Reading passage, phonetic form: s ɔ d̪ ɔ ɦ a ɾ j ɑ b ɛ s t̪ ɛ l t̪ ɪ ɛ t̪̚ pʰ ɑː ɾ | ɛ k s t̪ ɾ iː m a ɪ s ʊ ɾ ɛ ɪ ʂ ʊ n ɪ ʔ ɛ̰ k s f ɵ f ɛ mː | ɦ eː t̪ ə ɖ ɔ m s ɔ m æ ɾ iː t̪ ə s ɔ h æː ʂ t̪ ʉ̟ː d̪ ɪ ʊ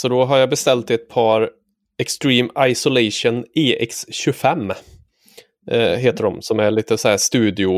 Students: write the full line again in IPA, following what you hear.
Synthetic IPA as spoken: s ɔ d̪ ɔ ɦ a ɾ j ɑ b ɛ s t̪ ɛ l t̪ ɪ ɛ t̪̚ pʰ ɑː ɾ | ɛ k s t̪ ɾ iː m a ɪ s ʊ l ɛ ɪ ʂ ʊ n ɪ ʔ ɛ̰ k s ɕ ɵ f ɛ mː | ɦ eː t̪ ə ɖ ɔ m s ɔ m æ ɭ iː t̪ ə s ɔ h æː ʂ t̪ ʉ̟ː d̪ ɪ ʊ